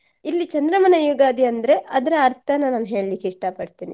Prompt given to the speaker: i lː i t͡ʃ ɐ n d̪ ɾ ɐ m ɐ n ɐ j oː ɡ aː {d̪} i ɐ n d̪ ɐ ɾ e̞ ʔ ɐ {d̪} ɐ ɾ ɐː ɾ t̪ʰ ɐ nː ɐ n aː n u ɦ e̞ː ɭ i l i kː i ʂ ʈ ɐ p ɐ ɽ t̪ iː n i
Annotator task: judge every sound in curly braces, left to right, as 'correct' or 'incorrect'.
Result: correct, correct

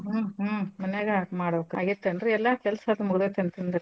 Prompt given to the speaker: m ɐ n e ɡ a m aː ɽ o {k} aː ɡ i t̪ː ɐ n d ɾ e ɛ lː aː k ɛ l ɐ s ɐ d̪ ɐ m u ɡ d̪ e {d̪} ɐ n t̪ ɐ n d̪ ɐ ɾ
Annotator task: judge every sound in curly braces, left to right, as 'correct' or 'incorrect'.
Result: correct, incorrect

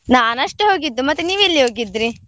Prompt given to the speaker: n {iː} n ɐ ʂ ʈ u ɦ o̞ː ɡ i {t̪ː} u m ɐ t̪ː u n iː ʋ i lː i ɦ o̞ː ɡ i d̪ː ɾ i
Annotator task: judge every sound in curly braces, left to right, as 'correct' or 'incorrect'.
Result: incorrect, incorrect

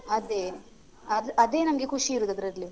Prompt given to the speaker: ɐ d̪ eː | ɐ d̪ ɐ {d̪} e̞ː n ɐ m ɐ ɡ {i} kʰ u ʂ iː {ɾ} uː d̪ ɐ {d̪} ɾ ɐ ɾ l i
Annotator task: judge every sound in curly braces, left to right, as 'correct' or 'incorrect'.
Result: correct, incorrect, correct, correct

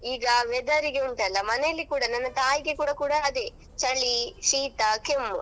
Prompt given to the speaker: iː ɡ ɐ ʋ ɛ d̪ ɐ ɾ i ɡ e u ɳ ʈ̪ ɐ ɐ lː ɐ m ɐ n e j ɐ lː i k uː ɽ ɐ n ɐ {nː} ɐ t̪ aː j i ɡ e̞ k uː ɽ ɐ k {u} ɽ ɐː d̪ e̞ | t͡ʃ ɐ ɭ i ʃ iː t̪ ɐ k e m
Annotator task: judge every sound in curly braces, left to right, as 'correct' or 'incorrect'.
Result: correct, incorrect

